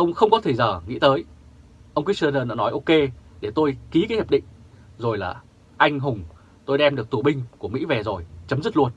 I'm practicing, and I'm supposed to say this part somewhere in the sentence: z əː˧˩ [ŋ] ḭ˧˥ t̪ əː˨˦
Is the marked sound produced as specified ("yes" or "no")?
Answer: yes